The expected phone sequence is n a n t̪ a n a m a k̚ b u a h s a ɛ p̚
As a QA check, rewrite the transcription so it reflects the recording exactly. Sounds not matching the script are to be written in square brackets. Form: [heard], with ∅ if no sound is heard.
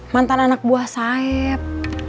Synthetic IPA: [m] a n t̪ a n a [n] a k̚ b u a h s a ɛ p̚